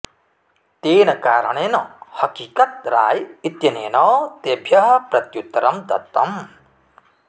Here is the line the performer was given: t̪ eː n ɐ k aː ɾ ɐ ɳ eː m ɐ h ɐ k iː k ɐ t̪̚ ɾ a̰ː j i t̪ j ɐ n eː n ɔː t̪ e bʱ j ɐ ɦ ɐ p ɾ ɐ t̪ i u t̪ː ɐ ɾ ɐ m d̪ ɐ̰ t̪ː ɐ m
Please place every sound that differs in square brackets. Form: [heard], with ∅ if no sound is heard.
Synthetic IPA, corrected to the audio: t̪ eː n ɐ k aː ɾ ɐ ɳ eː [n] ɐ h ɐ k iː k ɐ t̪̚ ɾ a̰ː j i t̪ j ɐ n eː n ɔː t̪ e bʱ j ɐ ɦ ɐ p ɾ ɐ t̪ [j] u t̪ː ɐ ɾ ɐ m d̪ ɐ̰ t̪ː ɐ m